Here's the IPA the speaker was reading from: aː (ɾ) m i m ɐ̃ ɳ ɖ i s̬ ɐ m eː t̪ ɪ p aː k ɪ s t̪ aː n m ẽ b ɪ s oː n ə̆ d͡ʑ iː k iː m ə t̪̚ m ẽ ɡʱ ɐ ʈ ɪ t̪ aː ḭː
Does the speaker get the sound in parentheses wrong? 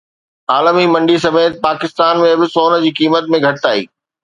yes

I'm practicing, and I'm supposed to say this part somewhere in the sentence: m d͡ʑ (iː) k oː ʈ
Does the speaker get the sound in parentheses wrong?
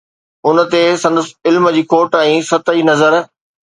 no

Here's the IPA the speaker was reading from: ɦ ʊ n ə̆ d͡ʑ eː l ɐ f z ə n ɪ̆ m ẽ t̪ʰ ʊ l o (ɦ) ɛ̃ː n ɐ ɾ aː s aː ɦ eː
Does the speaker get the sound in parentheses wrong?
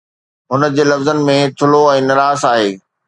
yes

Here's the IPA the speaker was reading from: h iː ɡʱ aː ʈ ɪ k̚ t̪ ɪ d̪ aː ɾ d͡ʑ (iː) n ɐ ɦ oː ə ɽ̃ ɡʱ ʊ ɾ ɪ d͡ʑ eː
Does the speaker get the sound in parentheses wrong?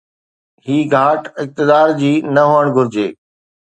no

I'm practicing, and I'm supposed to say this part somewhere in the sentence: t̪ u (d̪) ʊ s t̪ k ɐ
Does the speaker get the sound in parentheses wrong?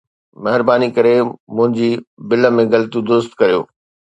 no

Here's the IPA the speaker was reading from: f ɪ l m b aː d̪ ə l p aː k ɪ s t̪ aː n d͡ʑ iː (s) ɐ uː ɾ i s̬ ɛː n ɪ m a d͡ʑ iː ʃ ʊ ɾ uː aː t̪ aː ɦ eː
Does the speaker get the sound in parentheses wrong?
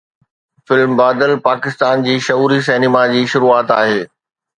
yes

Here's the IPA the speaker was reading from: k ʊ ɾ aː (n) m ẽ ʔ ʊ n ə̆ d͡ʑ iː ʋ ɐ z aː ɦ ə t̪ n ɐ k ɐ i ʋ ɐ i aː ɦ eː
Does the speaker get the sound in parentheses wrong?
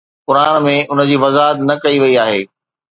no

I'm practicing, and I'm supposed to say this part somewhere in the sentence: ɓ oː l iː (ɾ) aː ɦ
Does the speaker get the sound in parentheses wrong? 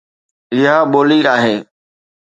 no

